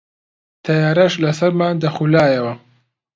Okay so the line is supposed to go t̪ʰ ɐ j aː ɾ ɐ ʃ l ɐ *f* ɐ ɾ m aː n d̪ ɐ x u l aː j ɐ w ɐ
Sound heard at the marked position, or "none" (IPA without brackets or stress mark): s